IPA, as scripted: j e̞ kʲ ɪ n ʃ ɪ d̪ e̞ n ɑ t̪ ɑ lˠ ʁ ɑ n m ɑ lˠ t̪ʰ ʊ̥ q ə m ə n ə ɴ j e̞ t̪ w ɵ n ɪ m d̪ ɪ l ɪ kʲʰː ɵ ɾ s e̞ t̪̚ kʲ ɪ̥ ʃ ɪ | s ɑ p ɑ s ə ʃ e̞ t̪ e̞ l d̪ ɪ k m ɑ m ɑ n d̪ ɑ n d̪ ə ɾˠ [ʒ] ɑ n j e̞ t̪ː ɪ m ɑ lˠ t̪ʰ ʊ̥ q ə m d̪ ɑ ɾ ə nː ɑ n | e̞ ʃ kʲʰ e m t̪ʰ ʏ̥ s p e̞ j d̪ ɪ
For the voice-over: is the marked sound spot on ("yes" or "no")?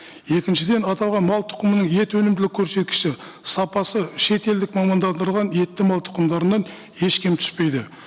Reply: no